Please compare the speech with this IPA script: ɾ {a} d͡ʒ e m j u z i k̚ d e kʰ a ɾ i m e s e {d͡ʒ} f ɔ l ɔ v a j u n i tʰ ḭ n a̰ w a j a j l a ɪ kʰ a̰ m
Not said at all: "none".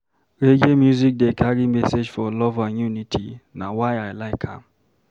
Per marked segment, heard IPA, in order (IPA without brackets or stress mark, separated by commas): e, d͡ʒ